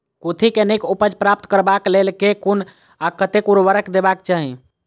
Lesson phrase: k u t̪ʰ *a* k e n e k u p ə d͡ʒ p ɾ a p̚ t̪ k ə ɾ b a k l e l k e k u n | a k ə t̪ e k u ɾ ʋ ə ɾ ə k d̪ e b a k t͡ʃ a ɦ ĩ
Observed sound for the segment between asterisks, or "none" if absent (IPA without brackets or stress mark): i